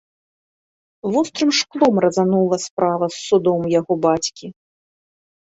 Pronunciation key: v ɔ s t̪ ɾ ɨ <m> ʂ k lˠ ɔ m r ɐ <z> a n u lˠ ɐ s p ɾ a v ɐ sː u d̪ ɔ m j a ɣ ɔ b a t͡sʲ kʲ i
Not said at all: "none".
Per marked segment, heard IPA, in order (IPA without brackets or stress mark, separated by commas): m, z